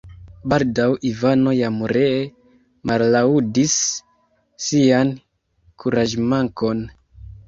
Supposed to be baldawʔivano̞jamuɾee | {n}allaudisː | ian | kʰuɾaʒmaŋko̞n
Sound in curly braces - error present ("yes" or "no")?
yes